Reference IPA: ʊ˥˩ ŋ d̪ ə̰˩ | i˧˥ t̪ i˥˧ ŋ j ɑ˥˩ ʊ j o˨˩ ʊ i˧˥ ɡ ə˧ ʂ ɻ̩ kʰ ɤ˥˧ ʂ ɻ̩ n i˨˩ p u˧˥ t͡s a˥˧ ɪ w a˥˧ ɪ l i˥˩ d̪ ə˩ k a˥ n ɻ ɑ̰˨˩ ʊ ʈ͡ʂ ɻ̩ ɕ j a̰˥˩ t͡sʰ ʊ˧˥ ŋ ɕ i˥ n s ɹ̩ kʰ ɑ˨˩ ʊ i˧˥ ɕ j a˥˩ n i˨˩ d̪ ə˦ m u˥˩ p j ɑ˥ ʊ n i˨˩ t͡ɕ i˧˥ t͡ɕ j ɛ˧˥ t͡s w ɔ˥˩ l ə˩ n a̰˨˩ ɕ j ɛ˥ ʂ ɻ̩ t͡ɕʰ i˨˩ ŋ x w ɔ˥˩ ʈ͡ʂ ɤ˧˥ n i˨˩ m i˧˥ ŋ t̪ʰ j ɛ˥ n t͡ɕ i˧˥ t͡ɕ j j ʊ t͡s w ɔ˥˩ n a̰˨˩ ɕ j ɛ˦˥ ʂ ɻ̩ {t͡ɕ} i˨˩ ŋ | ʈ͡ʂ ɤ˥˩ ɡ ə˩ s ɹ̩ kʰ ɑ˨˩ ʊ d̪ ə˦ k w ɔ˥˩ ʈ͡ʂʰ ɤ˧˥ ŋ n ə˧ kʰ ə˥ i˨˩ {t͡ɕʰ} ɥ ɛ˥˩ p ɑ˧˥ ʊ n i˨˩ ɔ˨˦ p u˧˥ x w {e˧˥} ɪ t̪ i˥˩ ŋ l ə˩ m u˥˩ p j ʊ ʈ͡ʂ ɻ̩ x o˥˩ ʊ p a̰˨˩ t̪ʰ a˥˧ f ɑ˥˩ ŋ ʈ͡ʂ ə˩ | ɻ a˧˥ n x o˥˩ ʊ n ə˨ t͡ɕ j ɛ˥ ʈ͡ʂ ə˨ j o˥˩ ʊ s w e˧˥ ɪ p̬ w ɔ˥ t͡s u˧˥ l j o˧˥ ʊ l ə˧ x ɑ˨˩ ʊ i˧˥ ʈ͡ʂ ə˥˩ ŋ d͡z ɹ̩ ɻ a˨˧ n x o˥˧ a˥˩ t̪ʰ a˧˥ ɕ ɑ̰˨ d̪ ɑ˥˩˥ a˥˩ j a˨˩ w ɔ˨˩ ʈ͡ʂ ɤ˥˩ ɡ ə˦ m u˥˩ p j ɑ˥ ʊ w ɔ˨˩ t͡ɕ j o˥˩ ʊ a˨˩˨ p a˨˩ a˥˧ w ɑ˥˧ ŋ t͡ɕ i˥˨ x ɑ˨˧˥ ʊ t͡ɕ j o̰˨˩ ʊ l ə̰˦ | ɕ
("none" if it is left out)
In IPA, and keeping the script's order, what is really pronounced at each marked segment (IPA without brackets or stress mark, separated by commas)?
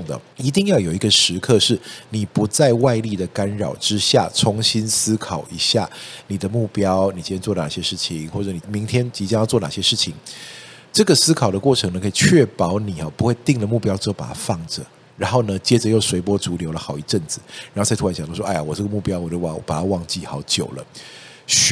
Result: t͡ɕʰ, t͡ɕʰ, e˥˧